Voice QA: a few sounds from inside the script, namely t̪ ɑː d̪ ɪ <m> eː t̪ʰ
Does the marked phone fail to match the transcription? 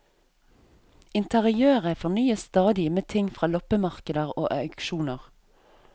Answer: no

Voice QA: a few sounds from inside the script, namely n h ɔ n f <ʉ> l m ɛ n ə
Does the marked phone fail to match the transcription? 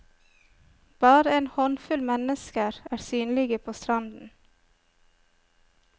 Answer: no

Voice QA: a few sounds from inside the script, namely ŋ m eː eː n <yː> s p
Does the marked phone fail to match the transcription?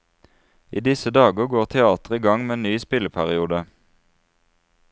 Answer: no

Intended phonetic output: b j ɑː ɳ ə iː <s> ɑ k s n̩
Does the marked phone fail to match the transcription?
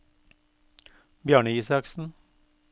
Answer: no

